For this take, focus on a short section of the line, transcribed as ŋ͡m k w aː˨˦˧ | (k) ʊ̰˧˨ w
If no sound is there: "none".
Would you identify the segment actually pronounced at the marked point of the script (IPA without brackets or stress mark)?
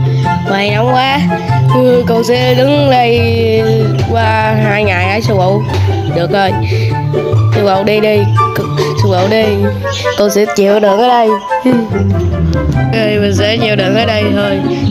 k